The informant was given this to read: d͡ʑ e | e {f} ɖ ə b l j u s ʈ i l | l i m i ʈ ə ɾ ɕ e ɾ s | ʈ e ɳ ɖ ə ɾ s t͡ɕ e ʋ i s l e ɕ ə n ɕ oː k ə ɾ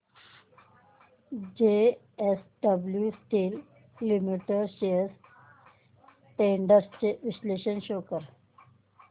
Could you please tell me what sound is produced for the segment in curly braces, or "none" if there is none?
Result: s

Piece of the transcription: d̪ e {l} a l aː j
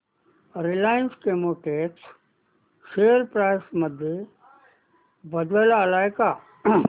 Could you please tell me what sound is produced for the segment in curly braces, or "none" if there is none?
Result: l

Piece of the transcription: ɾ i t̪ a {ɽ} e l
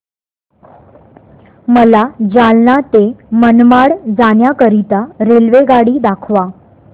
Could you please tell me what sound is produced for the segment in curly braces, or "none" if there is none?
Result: ɾ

